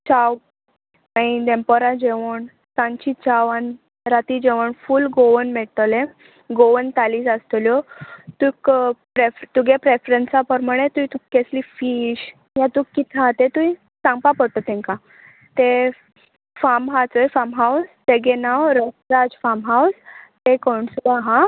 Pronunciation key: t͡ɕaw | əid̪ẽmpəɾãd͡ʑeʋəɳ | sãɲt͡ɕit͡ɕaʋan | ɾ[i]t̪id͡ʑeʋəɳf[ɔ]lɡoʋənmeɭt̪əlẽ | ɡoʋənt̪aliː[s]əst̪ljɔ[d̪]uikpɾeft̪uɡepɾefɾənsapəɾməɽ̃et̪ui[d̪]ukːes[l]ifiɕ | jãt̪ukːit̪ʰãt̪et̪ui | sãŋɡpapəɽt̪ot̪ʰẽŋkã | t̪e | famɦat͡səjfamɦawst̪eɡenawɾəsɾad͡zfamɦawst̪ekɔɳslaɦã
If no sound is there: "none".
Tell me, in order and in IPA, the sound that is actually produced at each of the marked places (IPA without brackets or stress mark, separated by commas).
a, u, s, t̪, t̪, l